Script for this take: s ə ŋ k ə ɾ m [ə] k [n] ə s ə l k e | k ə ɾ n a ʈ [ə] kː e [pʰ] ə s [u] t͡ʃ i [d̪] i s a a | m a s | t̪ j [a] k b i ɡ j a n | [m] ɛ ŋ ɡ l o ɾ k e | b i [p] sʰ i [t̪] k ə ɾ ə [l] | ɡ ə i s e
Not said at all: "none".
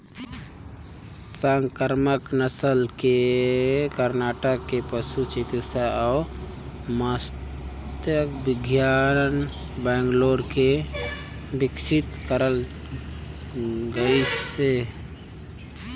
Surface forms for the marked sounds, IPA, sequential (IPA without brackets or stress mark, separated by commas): ə, n, ə, p, u, t̪, ə, b, k, t̪, l